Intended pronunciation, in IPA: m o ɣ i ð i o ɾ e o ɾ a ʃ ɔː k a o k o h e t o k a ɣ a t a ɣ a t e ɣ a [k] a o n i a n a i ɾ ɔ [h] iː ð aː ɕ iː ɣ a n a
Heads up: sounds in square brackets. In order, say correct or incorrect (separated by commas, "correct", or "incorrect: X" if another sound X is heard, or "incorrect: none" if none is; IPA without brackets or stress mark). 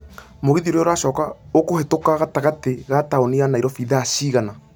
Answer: incorrect: t, incorrect: f